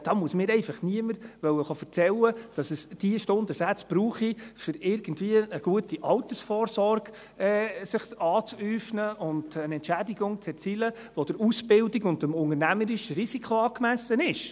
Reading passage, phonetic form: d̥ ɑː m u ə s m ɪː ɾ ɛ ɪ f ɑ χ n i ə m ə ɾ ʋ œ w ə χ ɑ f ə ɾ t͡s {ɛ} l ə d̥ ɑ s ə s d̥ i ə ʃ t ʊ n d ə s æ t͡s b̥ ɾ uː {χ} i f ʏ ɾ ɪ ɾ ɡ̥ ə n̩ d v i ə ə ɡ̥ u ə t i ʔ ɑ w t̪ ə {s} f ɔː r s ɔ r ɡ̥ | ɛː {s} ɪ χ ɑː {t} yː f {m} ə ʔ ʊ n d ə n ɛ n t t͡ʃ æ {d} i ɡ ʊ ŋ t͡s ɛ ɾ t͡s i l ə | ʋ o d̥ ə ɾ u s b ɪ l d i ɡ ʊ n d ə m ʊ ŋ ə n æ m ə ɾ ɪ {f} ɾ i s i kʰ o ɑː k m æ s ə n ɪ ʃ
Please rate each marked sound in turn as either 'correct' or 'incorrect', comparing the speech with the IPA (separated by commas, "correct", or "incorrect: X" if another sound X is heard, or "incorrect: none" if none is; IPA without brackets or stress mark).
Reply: correct, correct, correct, correct, incorrect: t͡s, incorrect: n, correct, incorrect: ʃ